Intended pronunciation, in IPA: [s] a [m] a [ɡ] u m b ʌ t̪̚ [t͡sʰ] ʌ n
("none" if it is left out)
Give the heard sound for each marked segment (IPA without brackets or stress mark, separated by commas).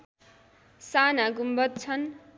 s, n, ɡ, t͡sʰ